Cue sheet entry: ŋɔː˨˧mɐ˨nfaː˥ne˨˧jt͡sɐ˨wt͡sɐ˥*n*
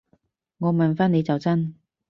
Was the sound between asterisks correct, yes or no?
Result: yes